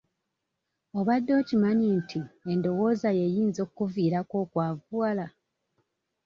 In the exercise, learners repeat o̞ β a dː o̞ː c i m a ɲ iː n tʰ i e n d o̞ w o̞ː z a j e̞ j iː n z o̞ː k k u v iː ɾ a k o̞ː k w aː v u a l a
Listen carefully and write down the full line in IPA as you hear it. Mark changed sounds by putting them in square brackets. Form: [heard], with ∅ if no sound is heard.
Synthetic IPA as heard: o̞ β a dː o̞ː c i m a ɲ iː n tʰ i e n d o̞ w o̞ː z a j e̞ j iː n z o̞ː k k u v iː ɾ a k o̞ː k w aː v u a l a